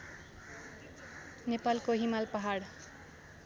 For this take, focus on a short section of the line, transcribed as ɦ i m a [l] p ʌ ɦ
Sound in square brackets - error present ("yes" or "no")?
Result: no